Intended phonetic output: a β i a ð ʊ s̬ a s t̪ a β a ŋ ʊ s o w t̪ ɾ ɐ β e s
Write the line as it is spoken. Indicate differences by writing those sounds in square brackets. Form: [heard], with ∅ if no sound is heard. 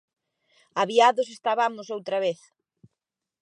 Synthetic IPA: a β i a ð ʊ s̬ [e] s t̪ a β a [m] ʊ s o w t̪ ɾ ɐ β e [θ]